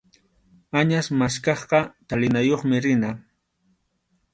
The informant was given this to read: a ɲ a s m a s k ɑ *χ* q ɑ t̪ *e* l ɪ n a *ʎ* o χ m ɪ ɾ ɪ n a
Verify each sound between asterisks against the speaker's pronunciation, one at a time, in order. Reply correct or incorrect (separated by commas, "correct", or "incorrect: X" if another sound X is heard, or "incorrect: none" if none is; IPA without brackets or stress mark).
correct, incorrect: a, incorrect: j